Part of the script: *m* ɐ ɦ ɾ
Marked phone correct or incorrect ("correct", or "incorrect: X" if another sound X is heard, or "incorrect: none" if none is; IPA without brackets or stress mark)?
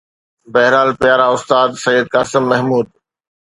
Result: incorrect: b